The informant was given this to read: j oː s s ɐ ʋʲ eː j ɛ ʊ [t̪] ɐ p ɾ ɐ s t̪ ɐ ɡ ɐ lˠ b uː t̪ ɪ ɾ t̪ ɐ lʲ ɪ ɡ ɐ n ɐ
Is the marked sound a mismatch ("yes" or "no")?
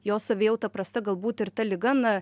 no